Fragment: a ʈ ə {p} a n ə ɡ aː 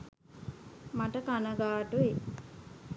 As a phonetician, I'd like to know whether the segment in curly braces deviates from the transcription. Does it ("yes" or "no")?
yes